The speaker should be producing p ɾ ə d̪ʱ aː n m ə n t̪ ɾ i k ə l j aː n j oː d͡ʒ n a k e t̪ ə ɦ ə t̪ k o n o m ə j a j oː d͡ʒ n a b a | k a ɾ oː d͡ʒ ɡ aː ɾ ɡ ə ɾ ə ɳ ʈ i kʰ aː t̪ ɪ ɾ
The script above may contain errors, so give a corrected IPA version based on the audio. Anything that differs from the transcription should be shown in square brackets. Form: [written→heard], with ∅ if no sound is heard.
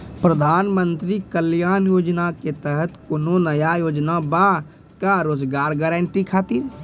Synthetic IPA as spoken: p ɾ ə d̪ʱ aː n m ə n t̪ ɾ i k ə l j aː n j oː d͡ʒ n a k e t̪ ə ɦ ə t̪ k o n o [m→n] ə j a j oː d͡ʒ n a b a | k a ɾ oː d͡ʒ ɡ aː ɾ ɡ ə ɾ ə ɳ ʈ i kʰ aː t̪ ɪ ɾ